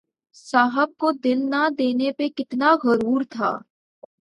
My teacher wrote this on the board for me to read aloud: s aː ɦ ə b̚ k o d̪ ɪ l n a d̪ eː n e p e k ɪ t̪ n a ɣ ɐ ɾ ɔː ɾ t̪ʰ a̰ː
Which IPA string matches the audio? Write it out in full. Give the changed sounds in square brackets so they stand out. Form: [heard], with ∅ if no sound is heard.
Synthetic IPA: s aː ɦ ə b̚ k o d̪ ɪ l n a d̪ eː n e p e k ɪ t̪ n a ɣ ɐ ɾ [uː] ɾ t̪ʰ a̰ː

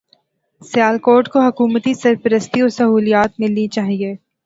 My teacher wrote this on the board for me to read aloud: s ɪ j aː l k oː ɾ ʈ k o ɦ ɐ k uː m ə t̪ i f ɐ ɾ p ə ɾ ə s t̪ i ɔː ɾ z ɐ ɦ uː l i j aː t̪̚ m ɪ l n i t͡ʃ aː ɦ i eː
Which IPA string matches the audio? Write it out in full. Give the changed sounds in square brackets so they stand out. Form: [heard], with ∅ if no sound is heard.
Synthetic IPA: s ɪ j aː l k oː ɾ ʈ k o ɦ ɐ k uː m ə t̪ i [s] ɐ ɾ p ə ɾ ə s t̪ i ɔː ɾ [s] ɐ ɦ uː l i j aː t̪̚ m ɪ l n i t͡ʃ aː ɦ i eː

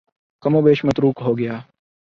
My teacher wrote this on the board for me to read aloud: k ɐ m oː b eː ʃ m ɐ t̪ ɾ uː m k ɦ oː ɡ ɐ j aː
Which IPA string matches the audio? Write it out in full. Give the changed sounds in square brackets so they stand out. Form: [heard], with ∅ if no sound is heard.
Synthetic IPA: k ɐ m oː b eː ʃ m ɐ t̪ ɾ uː [∅] k ɦ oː ɡ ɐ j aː

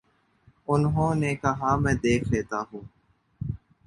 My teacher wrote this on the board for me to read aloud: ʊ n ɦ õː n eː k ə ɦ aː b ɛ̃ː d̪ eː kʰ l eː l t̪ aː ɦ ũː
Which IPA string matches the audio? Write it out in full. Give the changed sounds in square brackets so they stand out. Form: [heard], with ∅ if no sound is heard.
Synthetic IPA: ʊ n ɦ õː n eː k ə ɦ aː [m] ɛ̃ː d̪ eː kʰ l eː [∅] t̪ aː ɦ ũː

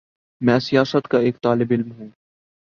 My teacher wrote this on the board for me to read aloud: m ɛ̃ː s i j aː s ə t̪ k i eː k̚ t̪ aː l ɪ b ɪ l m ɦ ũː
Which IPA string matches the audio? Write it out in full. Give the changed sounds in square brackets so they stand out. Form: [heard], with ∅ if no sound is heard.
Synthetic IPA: m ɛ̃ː s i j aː s ə t̪ k [a] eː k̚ t̪ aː l ɪ b ɪ l m ɦ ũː

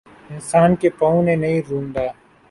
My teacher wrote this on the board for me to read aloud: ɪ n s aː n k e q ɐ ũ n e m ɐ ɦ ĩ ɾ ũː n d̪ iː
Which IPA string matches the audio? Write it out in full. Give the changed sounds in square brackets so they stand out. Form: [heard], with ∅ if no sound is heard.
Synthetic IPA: ɪ n s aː n k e [p] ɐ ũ n e [n] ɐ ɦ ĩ ɾ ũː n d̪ [aː]

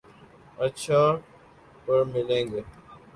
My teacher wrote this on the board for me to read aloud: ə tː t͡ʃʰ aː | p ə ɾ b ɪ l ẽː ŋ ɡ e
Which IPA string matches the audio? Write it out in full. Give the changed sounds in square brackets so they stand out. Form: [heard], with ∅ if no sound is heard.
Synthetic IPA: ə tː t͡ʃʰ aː | p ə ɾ [m] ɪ l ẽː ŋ ɡ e

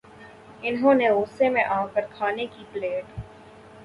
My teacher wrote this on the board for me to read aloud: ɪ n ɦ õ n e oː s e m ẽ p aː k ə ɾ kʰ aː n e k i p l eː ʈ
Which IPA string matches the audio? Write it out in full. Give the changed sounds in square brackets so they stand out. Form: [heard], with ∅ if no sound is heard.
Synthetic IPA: ɪ n ɦ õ n e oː s e m ẽ [ʔ] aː k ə ɾ kʰ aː n e k i p l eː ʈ

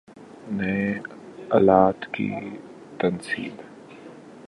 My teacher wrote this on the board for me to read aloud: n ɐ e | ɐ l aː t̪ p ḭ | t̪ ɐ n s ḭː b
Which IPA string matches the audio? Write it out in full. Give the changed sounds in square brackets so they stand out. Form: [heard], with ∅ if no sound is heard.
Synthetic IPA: n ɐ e | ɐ l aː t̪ [k] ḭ | t̪ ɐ n s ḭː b

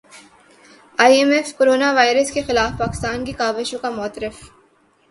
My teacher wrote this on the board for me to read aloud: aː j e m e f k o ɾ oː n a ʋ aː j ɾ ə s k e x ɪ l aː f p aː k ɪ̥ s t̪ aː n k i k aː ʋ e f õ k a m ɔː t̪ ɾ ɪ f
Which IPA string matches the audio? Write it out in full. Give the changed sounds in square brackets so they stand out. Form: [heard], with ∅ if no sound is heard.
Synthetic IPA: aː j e m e f k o ɾ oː n a ʋ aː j ɾ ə s k e x ɪ l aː f p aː k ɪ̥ s t̪ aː n k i k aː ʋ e [ʃ] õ k a m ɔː t̪ ɾ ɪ f

